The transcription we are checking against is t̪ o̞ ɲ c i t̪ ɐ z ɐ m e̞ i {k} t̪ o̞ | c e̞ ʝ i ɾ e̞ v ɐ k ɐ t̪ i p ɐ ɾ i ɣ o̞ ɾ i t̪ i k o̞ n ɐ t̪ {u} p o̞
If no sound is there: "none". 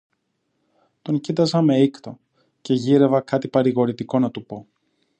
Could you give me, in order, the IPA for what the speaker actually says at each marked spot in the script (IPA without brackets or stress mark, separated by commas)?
k, u